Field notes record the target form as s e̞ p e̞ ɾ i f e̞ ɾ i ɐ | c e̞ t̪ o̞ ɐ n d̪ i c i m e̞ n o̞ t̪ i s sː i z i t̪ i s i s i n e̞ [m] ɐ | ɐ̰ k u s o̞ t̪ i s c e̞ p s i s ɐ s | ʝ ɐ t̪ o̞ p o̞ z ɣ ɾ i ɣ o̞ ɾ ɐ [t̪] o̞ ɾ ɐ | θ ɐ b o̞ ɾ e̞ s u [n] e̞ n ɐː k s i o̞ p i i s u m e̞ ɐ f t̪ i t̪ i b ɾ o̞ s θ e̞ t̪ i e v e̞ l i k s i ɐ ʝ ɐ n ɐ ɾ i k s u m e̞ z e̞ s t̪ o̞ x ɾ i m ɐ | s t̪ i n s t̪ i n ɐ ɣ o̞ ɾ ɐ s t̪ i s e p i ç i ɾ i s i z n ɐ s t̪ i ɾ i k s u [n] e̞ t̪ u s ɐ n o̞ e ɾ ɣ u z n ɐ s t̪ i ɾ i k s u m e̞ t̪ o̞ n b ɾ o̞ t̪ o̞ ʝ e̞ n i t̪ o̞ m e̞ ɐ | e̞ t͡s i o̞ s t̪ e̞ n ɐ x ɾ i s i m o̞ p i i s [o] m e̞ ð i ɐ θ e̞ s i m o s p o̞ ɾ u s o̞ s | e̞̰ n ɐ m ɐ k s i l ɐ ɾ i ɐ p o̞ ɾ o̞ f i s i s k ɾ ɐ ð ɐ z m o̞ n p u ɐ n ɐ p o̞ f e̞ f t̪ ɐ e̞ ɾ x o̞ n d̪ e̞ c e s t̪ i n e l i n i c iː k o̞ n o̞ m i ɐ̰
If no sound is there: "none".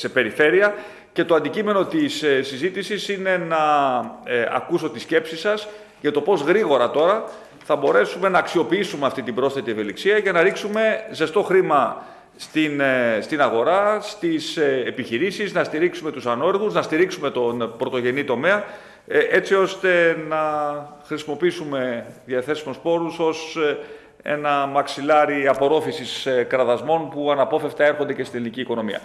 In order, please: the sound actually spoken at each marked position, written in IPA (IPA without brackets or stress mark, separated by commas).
n, t̪, m, m, u